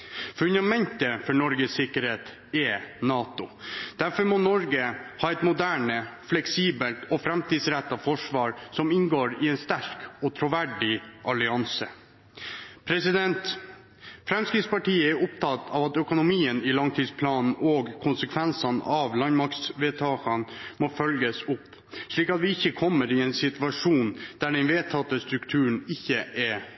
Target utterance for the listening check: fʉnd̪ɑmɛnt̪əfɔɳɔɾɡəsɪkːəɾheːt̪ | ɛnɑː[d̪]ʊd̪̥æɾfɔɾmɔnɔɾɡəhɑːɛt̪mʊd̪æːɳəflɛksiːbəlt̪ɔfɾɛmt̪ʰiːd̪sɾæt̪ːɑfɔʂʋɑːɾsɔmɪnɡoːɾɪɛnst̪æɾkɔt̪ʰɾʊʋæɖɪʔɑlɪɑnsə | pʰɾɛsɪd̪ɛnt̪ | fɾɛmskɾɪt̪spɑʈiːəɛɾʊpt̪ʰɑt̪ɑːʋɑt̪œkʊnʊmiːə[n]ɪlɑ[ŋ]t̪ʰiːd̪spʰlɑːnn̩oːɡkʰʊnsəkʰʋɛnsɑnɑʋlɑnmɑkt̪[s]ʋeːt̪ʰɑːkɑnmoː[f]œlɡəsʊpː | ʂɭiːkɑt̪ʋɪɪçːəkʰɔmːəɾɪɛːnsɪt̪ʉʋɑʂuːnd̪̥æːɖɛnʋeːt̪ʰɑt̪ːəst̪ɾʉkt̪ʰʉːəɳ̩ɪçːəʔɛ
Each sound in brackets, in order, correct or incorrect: incorrect, correct, correct, correct, correct

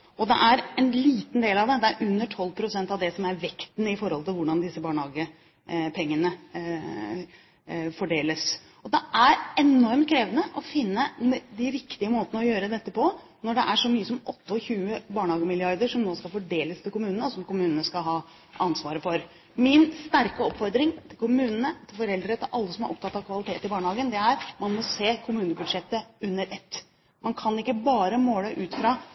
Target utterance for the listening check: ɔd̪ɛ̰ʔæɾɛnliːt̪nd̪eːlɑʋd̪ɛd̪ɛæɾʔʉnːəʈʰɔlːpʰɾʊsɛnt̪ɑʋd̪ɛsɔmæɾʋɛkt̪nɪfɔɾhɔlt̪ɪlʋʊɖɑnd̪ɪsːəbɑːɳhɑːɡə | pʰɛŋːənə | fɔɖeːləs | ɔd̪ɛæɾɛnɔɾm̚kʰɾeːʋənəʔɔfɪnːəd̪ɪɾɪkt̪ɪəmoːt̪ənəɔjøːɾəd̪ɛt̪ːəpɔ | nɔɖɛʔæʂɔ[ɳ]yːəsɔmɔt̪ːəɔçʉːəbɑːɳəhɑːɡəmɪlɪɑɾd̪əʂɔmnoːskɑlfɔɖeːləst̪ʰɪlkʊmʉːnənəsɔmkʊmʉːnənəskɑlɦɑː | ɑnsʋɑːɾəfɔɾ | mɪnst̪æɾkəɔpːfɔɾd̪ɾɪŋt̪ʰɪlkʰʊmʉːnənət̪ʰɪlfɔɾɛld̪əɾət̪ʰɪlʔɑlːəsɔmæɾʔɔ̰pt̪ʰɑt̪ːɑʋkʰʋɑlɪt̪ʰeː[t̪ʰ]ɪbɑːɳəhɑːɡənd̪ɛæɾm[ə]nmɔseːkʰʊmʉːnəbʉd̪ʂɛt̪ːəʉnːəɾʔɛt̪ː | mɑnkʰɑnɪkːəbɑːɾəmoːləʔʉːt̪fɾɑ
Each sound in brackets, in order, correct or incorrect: incorrect, incorrect, incorrect

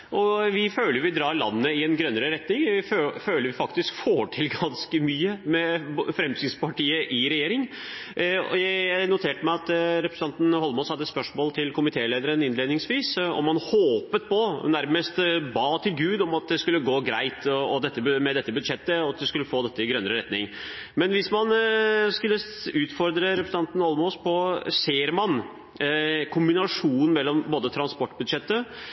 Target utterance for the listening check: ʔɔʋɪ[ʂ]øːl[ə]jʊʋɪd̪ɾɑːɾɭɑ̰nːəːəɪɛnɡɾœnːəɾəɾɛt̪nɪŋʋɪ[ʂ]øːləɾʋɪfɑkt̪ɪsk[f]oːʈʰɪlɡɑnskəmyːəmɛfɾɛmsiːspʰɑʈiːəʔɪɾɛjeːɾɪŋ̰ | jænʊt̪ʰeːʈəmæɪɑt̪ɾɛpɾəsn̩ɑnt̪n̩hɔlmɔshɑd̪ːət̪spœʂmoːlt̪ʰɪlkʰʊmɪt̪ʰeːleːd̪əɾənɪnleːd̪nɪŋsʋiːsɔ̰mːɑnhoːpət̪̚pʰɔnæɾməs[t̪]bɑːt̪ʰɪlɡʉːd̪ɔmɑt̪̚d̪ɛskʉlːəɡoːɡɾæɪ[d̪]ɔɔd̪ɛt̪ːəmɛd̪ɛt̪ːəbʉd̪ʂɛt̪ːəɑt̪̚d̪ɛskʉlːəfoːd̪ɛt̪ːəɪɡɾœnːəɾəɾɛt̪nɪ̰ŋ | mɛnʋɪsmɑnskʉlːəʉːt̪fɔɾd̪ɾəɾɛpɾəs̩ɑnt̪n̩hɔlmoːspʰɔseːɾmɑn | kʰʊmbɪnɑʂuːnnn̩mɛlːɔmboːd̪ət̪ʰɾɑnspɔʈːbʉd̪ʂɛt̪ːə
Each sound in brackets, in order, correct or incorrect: incorrect, correct, incorrect, correct, correct, incorrect

